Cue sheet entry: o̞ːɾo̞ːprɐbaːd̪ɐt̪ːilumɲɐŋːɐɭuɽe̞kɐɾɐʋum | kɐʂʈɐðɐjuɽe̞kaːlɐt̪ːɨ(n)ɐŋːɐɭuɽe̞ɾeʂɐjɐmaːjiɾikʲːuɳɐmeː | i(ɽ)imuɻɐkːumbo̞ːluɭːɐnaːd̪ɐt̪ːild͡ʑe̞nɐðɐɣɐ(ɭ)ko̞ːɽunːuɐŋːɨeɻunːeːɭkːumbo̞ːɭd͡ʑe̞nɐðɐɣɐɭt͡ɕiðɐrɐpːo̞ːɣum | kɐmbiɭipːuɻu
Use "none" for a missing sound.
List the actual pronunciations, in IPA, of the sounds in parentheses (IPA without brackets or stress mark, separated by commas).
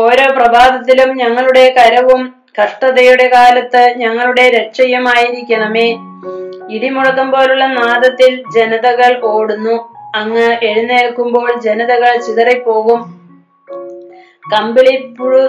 ɲ, ɽ, ɭ